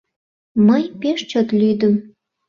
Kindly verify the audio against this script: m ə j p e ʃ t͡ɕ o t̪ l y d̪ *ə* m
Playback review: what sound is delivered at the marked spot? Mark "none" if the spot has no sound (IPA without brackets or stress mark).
ə